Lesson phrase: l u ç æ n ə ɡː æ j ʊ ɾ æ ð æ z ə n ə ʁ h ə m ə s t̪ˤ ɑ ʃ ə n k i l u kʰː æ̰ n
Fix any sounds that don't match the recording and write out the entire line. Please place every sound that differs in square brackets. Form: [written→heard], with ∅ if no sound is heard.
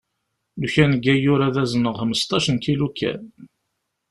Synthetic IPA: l u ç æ n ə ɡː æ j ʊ ɾ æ ð æ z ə n ə ʁ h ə m ə s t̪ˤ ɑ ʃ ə n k i l u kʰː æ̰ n